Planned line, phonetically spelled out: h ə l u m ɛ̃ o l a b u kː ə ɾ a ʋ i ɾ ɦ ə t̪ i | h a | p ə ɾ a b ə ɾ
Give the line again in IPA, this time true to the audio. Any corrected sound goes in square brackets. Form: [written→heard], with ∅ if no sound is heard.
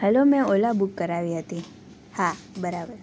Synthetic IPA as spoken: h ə l [u→o] m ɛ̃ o l a b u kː ə ɾ a ʋ i [ɾ→∅] ɦ ə t̪ i | h a | [p→b] ə ɾ a b ə ɾ